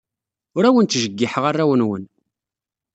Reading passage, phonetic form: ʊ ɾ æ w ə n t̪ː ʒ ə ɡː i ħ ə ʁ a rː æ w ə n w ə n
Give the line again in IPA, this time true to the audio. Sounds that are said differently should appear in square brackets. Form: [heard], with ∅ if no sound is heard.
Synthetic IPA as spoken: ʊ ɾ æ w ə n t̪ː ʒ ə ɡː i ħ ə ʁ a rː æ w ə n w ə n